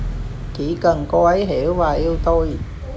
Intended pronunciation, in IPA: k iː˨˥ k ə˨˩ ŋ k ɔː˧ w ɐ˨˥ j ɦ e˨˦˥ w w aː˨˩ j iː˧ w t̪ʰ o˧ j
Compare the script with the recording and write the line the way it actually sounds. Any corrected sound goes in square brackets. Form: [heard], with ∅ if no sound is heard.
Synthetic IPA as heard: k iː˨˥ k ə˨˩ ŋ k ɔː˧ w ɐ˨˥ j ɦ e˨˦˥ w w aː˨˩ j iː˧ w [t̪] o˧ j